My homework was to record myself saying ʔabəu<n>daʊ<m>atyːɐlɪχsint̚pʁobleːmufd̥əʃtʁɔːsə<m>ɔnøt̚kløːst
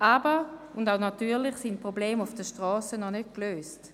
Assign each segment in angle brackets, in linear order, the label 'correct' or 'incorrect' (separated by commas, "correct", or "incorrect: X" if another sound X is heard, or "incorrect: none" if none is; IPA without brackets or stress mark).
correct, incorrect: n, incorrect: n